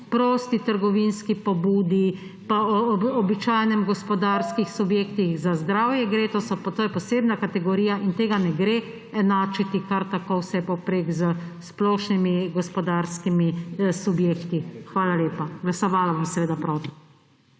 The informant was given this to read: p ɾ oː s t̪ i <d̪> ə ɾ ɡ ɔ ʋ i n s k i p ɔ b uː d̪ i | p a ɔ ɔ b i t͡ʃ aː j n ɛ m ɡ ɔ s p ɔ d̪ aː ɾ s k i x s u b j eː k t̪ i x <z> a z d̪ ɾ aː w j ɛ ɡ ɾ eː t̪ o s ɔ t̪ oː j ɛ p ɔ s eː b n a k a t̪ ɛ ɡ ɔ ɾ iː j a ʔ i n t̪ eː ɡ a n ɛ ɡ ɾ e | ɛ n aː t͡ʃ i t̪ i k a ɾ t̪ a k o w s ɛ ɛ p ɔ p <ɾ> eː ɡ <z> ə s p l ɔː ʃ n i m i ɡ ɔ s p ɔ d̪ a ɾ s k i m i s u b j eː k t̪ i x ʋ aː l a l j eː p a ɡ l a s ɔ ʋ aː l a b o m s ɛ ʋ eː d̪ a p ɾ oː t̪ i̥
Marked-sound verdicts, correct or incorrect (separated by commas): incorrect, correct, correct, correct